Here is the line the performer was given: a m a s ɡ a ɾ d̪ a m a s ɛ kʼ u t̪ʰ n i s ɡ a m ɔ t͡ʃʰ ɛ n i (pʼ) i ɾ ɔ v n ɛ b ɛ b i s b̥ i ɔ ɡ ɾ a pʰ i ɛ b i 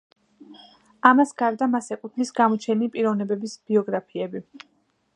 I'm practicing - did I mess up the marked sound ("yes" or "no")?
no